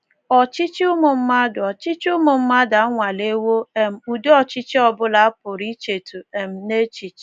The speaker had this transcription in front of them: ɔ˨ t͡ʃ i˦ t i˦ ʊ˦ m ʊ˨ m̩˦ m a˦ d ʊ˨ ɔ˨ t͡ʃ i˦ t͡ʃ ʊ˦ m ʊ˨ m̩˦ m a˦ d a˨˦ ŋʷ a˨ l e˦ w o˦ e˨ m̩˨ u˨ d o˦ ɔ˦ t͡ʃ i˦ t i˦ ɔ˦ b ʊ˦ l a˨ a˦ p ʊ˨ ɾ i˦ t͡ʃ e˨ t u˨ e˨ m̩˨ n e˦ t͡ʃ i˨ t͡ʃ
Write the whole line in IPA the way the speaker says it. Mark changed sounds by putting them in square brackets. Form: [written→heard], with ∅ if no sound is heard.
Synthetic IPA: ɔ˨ t͡ʃ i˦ [t→t͡ʃ] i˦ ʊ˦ m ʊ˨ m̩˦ m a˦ d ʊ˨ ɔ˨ t͡ʃ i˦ t͡ʃ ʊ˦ m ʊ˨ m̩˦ m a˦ d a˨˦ ŋʷ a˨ l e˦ w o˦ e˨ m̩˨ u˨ d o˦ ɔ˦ t͡ʃ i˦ [t→t͡ʃ] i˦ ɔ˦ b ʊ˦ l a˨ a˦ p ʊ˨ ɾ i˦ t͡ʃ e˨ t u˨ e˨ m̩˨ n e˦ t͡ʃ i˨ t͡ʃ